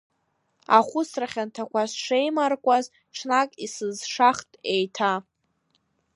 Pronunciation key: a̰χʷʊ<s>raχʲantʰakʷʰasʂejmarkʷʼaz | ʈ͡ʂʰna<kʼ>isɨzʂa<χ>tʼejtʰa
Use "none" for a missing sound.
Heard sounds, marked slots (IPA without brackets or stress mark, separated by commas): s, kʼ, χ